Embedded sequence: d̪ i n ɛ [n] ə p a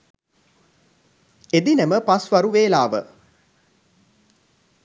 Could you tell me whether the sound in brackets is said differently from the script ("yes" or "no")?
yes